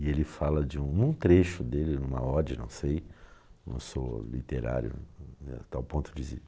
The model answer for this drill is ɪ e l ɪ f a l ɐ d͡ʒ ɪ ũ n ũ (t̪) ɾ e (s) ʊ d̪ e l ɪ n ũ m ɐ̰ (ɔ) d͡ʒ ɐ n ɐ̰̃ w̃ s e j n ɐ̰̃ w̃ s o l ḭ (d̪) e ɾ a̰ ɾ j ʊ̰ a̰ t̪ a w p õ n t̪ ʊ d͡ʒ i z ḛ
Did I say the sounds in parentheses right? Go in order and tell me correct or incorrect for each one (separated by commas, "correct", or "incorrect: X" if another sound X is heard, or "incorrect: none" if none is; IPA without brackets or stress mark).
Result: correct, incorrect: ʃ, correct, incorrect: t̪